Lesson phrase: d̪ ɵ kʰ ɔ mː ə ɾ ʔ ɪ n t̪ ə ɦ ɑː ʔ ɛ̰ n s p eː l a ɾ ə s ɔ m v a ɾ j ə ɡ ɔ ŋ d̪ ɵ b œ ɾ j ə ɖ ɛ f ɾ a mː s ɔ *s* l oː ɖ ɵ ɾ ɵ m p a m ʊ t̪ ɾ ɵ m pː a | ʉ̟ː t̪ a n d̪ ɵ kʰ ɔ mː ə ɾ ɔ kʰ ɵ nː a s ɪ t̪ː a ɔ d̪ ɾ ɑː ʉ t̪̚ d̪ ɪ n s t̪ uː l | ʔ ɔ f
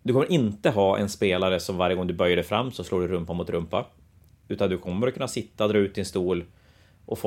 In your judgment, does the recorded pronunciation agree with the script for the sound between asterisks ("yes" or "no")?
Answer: yes